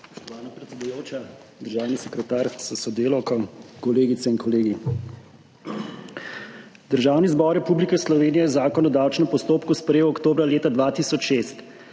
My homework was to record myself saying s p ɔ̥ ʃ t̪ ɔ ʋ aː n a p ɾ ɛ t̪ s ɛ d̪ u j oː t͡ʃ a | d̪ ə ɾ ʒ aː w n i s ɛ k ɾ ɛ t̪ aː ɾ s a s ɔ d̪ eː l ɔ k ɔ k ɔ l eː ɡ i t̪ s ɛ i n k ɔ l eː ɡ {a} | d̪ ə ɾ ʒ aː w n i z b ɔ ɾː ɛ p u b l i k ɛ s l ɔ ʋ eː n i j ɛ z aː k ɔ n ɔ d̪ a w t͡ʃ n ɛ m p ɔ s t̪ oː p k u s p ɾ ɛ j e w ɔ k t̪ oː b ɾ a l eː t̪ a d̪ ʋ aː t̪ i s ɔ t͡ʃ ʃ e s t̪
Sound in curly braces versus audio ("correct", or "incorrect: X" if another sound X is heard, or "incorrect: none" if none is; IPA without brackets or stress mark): incorrect: i